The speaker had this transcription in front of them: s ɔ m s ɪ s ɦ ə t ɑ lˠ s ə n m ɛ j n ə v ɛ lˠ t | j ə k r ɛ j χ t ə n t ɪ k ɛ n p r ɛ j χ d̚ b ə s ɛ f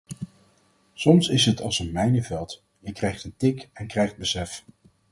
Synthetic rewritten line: s ɔ m s ɪ s ɦ ə t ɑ lˠ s ə n m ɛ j n ə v ɛ lˠ t | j ə k r ɛ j χ t ə n t ɪ k ɛ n k r ɛ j χ d̚ b ə s ɛ f